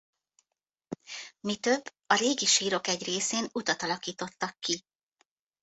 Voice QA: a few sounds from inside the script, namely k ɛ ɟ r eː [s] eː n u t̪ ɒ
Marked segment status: correct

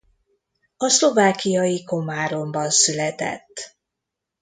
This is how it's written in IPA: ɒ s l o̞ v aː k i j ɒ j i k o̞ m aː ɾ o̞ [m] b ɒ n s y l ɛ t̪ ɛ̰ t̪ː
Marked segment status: correct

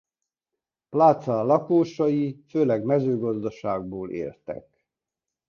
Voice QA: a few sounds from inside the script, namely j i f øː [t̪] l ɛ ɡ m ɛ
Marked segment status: incorrect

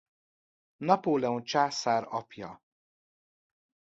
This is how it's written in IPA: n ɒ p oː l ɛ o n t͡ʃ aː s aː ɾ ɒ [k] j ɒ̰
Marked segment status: incorrect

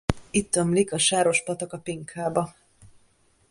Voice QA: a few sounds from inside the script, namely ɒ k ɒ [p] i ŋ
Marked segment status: correct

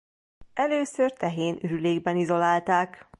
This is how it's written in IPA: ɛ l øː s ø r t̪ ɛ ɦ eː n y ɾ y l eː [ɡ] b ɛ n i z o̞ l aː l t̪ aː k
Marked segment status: correct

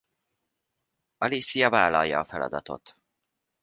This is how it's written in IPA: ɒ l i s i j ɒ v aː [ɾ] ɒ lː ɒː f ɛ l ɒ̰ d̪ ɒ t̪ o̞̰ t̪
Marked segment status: incorrect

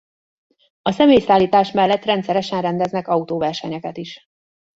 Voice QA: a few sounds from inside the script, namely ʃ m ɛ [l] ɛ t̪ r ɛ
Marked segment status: incorrect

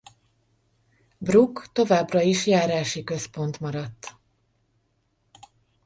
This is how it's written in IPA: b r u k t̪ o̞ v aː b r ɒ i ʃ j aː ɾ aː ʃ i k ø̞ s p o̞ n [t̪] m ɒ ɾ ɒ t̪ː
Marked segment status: correct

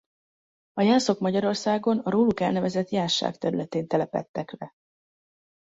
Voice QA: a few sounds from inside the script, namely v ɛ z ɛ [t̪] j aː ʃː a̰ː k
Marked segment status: correct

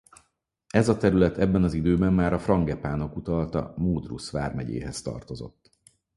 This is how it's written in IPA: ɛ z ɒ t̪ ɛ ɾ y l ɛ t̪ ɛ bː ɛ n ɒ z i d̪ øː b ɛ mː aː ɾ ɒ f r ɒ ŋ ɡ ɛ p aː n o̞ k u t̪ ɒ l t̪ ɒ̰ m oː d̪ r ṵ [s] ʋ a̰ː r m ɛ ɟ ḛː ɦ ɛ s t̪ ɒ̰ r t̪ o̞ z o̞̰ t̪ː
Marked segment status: correct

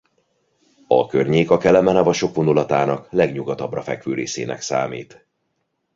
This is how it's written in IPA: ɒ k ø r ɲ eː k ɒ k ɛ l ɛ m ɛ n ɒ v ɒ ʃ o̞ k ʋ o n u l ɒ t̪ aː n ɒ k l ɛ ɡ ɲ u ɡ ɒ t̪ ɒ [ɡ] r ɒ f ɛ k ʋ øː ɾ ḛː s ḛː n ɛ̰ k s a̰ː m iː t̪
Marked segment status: incorrect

